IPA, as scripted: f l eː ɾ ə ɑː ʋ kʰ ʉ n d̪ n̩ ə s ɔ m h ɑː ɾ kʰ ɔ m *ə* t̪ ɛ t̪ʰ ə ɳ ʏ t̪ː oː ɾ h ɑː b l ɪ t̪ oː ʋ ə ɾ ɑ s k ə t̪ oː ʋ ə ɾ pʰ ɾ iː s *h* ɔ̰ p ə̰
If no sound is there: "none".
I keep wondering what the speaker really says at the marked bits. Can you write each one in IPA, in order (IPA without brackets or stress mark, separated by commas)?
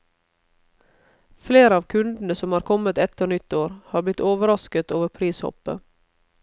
ə, h